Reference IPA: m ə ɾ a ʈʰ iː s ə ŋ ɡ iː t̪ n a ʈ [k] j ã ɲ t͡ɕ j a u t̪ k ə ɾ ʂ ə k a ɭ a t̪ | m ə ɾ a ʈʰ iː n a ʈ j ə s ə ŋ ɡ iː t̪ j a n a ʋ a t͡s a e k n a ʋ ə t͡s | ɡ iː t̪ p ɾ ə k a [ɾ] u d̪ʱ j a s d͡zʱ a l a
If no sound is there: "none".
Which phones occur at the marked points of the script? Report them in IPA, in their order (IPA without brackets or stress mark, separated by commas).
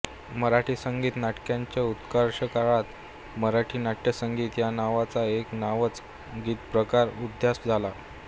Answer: k, ɾ